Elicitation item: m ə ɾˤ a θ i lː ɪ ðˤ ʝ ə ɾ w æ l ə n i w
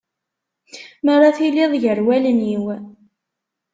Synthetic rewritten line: m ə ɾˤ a θ i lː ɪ ðˤ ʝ ə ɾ w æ l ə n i w